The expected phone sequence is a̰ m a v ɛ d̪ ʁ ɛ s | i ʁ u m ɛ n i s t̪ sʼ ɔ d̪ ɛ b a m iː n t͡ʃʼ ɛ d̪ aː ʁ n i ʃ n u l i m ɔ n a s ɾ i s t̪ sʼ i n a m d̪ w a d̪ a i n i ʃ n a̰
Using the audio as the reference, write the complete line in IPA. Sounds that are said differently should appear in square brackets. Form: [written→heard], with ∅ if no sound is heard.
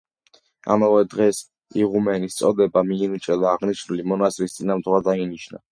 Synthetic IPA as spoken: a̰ m a v ɛ d̪ ʁ ɛ s | i ʁ u m ɛ n i s t̪ sʼ ɔ d̪ ɛ b a m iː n t͡ʃʼ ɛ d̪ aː ʁ n i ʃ n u l i m ɔ n a s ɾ i s t̪ sʼ i n a m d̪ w a d̪ a i n i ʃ n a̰